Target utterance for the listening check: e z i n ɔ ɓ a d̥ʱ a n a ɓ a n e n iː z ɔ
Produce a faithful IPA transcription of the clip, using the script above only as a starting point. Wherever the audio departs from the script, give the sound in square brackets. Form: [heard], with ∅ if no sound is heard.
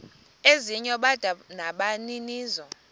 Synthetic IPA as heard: e z i [ɲ] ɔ ɓ a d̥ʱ a n a ɓ a n [i] n iː z ɔ